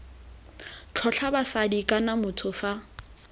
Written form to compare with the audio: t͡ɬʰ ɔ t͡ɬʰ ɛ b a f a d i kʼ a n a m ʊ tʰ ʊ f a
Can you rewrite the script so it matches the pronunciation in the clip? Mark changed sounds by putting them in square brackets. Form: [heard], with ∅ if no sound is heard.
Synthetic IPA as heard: t͡ɬʰ ɔ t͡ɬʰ [a] b a [s] a d i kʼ a n a m ʊ tʰ ʊ f a